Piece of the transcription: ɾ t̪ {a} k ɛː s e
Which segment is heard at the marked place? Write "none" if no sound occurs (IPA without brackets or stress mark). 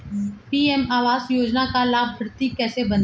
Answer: i